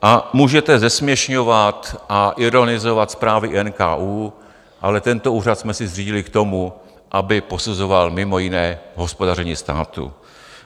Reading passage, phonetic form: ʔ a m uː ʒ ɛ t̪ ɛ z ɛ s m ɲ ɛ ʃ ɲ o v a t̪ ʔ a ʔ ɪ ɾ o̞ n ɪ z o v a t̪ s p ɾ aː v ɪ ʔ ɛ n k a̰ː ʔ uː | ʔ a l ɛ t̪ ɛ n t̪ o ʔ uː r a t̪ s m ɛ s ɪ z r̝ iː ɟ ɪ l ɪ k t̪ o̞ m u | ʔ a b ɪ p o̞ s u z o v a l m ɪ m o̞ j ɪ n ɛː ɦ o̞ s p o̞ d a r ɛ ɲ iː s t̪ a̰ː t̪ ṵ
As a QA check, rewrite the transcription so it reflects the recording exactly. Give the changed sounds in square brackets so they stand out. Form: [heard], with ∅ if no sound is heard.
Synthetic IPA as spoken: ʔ a m uː ʒ ɛ t̪ ɛ z ɛ s m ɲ ɛ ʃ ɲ o v a t̪ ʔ a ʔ ɪ ɾ o̞ n ɪ z o v a t̪ s p ɾ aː v ɪ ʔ ɛ n k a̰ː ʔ uː | ʔ a l ɛ t̪ ɛ n t̪ o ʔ uː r a t̪ s m ɛ s ɪ z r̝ iː ɟ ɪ l ɪ k t̪ o̞ m u | ʔ a b ɪ p o̞ s u z o v a l m ɪ m o̞ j ɪ n ɛː ɦ o̞ s p o̞ d a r ɛ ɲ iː s t̪ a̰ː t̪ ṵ